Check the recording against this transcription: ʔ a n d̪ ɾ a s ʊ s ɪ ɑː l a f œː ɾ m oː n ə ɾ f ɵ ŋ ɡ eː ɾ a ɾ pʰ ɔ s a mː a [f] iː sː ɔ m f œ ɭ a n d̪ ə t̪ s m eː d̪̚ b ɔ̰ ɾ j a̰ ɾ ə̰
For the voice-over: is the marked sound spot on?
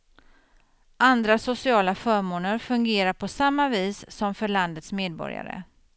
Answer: no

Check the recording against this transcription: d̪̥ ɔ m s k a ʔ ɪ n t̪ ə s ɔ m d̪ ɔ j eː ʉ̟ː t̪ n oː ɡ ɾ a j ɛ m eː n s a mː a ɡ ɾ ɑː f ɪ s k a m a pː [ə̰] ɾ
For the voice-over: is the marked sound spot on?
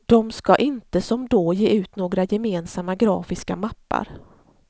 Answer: no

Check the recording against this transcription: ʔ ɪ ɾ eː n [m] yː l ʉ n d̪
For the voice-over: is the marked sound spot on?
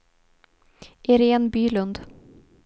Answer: no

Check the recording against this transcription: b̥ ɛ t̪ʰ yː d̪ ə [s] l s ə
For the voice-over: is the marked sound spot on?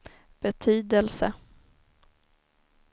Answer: no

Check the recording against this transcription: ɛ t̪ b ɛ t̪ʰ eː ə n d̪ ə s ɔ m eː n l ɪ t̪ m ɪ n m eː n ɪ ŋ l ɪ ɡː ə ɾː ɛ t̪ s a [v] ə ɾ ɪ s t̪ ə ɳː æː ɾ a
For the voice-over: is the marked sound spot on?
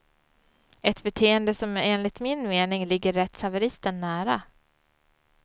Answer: yes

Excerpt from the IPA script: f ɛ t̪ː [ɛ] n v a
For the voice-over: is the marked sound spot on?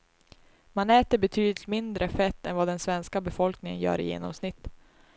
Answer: yes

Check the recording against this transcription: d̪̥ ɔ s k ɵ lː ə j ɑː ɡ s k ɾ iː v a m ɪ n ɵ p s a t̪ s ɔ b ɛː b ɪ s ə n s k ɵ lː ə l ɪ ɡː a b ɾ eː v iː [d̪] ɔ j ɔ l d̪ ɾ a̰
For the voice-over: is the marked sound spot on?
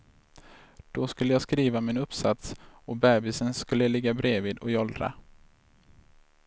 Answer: yes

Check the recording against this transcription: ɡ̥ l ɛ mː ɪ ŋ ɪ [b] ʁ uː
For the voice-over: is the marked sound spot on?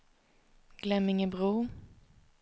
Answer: yes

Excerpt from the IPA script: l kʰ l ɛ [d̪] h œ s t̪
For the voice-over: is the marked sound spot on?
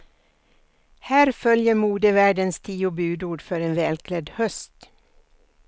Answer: yes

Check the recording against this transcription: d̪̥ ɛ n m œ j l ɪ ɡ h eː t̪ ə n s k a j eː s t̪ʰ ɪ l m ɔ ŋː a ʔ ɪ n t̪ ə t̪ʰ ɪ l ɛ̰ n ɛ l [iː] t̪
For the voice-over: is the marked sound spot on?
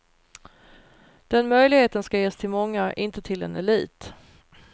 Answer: yes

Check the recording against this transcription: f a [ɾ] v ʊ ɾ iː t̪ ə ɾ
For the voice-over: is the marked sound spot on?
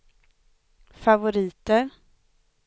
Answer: no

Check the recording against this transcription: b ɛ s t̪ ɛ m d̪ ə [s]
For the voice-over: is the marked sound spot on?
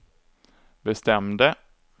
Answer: no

